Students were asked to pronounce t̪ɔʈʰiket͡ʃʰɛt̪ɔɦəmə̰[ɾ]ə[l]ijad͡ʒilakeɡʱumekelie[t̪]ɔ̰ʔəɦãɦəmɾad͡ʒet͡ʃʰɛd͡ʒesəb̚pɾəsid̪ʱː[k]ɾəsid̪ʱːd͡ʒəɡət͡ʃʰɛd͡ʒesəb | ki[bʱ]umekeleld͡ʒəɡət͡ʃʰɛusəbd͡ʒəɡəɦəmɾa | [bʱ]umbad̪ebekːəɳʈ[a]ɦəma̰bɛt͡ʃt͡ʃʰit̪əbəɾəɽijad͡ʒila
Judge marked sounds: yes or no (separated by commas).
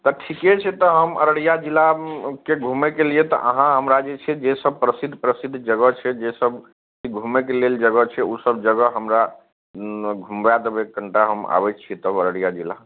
yes, no, yes, no, no, no, yes